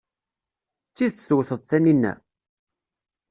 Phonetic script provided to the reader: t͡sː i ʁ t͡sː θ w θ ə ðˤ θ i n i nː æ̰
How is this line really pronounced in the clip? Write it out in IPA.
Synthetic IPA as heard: t͡sː i ð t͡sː θ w θ ə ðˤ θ æ n i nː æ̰